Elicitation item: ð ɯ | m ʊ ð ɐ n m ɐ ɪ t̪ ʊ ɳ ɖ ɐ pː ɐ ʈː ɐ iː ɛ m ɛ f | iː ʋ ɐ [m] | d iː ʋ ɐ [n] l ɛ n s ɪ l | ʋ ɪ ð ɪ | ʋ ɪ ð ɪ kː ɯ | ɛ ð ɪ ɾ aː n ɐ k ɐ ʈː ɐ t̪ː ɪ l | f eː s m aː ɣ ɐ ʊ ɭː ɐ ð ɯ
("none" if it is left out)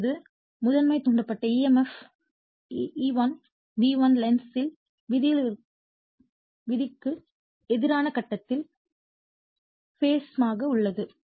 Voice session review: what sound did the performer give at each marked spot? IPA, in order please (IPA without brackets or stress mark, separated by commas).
n, n